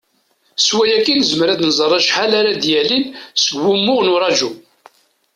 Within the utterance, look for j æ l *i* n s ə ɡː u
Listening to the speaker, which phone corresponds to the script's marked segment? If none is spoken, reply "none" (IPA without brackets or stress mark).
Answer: i